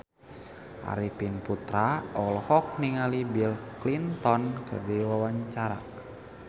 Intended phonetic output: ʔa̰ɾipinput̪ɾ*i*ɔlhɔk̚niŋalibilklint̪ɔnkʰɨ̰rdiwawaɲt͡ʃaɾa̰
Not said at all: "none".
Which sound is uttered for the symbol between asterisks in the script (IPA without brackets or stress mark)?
a